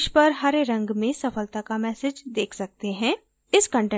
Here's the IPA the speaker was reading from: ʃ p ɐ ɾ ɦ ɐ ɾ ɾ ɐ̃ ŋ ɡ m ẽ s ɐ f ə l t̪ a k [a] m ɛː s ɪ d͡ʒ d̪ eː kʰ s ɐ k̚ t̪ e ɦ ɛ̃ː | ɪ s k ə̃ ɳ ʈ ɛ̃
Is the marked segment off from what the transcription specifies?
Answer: no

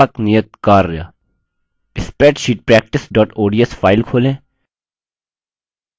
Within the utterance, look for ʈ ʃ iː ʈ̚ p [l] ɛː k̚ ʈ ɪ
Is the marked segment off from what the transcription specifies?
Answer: yes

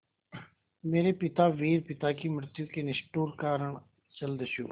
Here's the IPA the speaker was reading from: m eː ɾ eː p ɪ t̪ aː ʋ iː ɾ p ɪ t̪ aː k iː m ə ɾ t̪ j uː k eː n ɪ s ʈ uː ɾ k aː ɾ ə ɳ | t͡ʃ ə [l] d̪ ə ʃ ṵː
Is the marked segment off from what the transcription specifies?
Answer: no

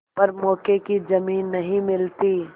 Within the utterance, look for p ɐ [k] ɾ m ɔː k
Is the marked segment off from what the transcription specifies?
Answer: yes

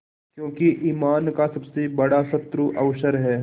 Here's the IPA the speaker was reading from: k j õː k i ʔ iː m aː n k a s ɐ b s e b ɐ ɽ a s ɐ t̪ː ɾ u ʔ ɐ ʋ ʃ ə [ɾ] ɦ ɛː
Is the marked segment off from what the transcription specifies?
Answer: no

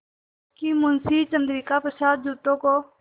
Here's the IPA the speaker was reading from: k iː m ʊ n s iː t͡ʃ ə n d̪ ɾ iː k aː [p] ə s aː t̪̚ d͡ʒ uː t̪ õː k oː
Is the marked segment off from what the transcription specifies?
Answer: no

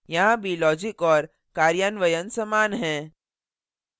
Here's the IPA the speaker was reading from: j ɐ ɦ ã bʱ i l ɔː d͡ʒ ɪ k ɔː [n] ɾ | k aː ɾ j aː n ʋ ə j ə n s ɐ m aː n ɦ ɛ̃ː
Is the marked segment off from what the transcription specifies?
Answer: yes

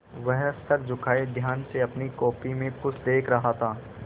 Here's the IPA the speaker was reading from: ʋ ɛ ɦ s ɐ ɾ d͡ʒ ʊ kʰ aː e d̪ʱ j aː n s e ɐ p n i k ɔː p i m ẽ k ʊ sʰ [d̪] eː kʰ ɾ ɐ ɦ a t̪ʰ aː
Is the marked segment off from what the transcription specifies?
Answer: no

